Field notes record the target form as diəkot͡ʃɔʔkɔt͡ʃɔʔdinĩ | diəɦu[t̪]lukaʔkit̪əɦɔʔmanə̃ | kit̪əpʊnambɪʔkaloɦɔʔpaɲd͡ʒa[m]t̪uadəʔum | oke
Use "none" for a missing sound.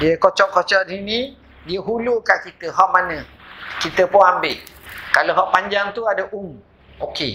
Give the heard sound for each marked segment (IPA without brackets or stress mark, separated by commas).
none, ŋ